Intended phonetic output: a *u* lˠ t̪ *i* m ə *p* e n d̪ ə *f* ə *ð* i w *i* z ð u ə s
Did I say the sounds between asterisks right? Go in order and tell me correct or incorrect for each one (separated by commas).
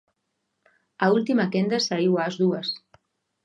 correct, correct, incorrect, incorrect, incorrect, incorrect